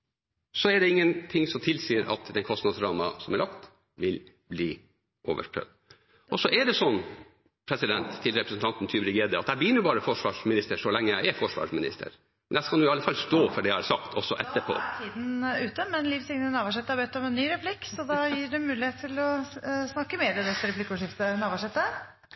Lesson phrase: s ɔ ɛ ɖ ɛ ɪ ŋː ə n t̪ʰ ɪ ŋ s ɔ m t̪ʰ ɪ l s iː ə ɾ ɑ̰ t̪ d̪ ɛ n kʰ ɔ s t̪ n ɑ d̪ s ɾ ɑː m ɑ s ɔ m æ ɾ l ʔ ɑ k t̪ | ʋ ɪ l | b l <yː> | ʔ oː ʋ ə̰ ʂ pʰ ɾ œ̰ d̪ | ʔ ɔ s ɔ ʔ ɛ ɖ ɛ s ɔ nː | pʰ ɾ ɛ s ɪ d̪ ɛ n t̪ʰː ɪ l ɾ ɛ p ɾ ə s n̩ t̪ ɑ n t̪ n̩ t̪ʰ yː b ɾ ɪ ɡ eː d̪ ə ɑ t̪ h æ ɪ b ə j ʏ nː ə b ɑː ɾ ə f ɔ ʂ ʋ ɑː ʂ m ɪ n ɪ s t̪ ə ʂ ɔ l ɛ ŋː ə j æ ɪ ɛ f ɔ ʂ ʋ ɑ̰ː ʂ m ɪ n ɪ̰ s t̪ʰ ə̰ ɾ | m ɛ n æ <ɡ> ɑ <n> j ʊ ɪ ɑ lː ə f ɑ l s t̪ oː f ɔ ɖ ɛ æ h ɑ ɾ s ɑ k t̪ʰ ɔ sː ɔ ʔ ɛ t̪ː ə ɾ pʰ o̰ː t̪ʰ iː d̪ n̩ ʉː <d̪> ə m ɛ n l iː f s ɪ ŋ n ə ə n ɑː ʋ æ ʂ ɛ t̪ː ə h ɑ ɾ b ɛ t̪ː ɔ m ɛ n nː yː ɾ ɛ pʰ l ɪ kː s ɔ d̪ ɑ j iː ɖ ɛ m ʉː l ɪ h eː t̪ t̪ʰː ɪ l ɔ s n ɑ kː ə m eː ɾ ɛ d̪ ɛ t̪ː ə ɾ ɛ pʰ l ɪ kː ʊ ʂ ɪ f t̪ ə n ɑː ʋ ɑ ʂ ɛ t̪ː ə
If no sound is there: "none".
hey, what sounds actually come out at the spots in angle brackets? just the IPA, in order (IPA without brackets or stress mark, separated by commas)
iː, k, n, t̪